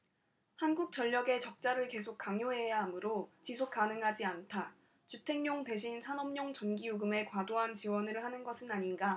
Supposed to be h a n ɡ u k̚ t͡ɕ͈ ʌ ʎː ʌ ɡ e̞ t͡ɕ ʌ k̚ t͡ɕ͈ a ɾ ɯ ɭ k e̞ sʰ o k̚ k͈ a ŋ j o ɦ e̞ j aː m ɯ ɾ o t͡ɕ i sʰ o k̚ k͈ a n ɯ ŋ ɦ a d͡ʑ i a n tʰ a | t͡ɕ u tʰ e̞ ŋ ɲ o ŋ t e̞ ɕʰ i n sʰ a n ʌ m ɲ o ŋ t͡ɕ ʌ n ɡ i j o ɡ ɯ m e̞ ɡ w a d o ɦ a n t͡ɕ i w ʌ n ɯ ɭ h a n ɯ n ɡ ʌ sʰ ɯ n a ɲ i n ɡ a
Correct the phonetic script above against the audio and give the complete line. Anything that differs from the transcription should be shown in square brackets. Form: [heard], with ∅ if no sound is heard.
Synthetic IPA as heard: h a n ɡ u k̚ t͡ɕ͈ ʌ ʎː ʌ ɡ e̞ t͡ɕ ʌ k̚ t͡ɕ͈ a ɾ ɯ ɭ k e̞ sʰ o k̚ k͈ a ŋ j o ɦ e̞ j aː m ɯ ɾ o t͡ɕ i sʰ o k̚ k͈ a n ɯ ŋ ɦ a d͡ʑ i a n tʰ a | t͡ɕ u tʰ e̞ ŋ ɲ o ŋ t e̞ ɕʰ i n sʰ a n ʌ m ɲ o ŋ t͡ɕ ʌ n ɡ i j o ɡ ɯ m e̞ [k] w a d o ɦ a n t͡ɕ i w ʌ n ɯ ɭ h a n ɯ n ɡ ʌ sʰ ɯ n a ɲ i n ɡ a